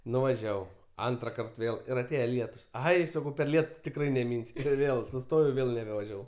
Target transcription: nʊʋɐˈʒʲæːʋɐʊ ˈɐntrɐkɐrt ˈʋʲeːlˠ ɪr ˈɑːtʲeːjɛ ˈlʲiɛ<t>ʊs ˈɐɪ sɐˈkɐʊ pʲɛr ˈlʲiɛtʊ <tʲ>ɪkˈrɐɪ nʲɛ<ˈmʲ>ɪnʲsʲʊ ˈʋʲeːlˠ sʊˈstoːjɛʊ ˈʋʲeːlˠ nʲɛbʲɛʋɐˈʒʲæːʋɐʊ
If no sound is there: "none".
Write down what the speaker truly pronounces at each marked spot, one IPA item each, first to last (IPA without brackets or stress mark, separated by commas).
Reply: t, tʲ, mʲ